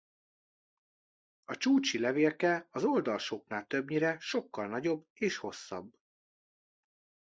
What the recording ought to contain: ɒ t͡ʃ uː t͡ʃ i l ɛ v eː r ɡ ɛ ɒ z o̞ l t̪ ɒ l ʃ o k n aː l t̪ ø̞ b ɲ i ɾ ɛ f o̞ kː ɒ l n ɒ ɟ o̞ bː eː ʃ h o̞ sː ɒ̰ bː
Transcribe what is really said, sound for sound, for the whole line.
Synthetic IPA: ɒ t͡ʃ uː t͡ʃ i l ɛ v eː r k ɛ ɒ z o̞ l d̪ ɒ l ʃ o k n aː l t̪ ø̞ b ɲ i ɾ ɛ ʃ o̞ kː ɒ l n ɒ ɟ o̞ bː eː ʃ h o̞ sː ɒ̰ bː